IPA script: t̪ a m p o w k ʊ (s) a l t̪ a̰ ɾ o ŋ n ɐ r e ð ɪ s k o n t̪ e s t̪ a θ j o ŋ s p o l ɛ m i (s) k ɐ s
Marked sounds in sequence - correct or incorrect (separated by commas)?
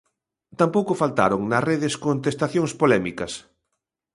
incorrect, incorrect